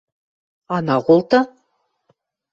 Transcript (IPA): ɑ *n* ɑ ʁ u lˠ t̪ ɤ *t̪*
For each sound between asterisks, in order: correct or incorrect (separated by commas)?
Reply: correct, incorrect